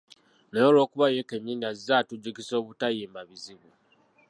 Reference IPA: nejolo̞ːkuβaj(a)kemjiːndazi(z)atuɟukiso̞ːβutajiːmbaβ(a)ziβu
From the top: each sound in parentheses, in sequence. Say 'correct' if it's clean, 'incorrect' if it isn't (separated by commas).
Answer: incorrect, correct, incorrect